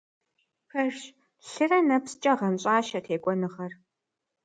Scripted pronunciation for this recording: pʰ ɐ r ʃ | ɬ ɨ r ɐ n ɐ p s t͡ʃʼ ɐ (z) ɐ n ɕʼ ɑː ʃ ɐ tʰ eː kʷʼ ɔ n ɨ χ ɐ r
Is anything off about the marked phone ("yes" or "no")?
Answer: yes